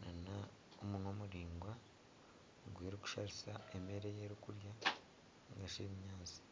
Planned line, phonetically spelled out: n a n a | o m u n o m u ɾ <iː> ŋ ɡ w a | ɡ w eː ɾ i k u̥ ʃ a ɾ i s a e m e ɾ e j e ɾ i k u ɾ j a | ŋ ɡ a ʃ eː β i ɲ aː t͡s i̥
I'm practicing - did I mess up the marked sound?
no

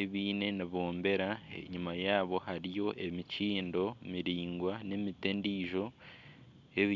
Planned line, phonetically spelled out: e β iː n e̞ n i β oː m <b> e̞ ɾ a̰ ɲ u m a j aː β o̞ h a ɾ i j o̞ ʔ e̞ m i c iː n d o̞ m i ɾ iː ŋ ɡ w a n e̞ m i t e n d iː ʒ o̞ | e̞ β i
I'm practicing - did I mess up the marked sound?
no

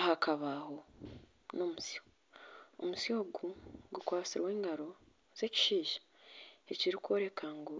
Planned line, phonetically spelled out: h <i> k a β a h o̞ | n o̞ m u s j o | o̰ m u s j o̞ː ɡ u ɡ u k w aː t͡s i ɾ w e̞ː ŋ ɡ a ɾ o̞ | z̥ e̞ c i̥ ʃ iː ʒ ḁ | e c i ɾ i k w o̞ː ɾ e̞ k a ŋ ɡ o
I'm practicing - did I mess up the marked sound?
yes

